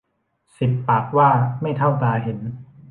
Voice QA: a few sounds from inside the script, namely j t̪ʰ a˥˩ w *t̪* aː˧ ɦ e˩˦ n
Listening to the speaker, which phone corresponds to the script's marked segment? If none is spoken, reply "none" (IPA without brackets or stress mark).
t̪